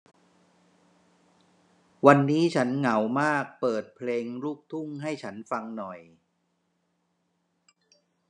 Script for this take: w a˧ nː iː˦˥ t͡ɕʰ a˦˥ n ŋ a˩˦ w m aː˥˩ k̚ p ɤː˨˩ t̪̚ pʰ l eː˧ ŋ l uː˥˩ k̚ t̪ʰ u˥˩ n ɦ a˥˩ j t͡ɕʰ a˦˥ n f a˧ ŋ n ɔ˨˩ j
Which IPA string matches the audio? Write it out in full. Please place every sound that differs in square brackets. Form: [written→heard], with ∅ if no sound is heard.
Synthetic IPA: w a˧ nː iː˦˥ t͡ɕʰ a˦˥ n ŋ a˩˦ w m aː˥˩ k̚ p ɤː˨˩ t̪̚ pʰ l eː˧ ŋ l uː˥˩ k̚ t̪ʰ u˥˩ [n→ŋ] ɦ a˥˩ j t͡ɕʰ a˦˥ n f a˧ ŋ n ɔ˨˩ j